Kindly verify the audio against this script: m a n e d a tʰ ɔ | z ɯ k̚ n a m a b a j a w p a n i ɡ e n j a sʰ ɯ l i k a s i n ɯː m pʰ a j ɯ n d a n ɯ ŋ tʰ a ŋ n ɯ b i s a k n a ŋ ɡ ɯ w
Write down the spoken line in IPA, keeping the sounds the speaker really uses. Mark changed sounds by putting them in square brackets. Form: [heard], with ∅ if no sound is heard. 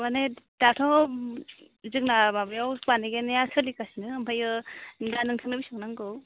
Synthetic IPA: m a n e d a tʰ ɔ | z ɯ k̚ n a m a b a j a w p a n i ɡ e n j a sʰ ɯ l i k a s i n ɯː m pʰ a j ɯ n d a n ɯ ŋ tʰ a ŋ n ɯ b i s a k n a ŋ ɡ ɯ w